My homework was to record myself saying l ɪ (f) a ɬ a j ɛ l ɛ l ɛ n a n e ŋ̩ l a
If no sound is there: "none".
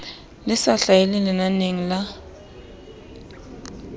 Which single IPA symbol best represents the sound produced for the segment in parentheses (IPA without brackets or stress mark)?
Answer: s